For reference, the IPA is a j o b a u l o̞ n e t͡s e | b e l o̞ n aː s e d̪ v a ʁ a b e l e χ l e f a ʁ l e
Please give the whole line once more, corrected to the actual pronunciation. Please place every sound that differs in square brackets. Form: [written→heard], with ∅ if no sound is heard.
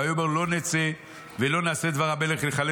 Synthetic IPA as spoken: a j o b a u l o̞ n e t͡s e | [b→v] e l o̞ n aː s e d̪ v a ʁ a b e l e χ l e [f→χ] a [ʁ→∅] l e